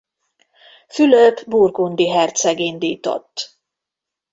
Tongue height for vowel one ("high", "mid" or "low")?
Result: high